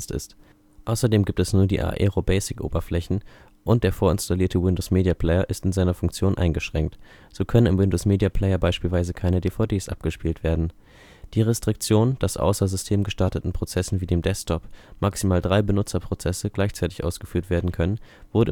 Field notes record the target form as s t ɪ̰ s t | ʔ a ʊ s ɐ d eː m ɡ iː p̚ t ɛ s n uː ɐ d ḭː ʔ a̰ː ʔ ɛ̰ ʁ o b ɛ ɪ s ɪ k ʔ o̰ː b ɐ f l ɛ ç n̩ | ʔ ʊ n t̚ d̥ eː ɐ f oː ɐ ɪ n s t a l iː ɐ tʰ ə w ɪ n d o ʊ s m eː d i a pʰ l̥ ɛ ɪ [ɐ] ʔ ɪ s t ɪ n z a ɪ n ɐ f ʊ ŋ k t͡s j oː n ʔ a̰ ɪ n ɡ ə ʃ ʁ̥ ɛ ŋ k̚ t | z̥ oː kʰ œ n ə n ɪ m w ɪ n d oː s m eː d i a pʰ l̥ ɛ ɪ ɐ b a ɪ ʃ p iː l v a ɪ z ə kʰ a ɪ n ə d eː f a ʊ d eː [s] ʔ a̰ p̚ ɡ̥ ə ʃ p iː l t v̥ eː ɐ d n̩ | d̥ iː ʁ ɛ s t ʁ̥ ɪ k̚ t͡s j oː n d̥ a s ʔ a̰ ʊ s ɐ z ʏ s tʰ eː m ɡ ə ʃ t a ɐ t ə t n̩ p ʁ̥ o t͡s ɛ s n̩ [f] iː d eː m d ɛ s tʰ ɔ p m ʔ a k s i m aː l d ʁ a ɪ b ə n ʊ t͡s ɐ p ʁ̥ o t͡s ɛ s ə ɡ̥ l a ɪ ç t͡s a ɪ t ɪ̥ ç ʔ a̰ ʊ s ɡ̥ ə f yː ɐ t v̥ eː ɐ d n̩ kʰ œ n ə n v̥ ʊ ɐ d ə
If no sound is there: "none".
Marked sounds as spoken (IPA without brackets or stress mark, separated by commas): ɐ, s, v